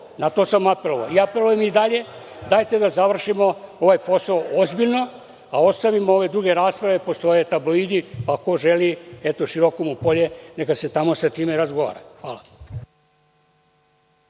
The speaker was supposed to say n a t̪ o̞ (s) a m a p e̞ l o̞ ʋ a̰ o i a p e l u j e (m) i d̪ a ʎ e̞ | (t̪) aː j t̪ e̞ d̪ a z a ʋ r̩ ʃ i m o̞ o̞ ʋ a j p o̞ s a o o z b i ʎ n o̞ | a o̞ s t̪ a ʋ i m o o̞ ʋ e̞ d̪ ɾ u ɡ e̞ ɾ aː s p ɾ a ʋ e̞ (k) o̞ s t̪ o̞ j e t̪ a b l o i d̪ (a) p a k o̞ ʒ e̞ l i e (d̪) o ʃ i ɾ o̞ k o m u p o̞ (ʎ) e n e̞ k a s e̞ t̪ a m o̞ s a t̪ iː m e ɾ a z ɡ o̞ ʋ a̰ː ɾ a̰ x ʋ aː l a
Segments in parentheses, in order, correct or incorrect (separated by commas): correct, correct, incorrect, incorrect, incorrect, incorrect, correct